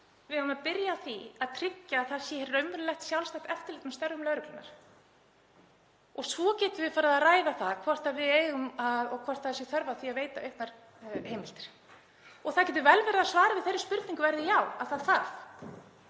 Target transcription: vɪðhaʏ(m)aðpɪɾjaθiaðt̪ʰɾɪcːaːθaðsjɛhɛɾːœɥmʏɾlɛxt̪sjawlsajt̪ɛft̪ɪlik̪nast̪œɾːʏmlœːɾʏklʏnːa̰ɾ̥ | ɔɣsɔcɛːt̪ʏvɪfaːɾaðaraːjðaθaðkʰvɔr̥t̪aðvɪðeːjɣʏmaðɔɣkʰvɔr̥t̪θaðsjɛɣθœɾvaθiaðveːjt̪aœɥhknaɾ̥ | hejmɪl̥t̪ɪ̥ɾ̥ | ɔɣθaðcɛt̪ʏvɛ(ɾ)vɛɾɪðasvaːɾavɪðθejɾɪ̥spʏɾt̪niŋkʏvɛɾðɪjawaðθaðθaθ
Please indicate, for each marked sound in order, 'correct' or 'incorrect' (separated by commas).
correct, incorrect